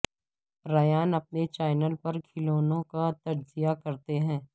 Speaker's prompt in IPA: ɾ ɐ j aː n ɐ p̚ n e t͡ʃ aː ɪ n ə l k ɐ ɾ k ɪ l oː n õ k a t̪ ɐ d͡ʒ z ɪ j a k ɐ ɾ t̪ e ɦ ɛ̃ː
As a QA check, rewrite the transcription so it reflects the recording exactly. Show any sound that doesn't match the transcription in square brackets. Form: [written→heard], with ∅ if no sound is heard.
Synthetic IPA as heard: ɾ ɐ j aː n ɐ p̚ n e t͡ʃ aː ɪ n ə l [k→p] ɐ ɾ [k→kʰ] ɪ l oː n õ k a t̪ ɐ d͡ʒ z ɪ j a k ɐ ɾ t̪ e ɦ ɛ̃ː